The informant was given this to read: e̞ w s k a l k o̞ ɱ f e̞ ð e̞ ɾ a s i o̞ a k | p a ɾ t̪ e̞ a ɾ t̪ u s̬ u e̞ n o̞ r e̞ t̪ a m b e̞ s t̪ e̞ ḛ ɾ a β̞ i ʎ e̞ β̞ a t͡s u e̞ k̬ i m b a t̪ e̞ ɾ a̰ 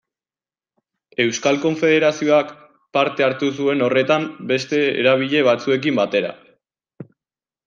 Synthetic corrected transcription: e̞ w s k a l k o̞ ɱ f e̞ ð e̞ ɾ a s i o̞ a k | p a ɾ t̪ e̞ a ɾ t̪ u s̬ u e̞ n o̞ r e̞ t̪ a m b e̞ s t̪ e̞ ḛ ɾ a β̞ i ʎ e̞ β̞ a t͡s u e̞ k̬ i m b a t̪ e̞ ɾ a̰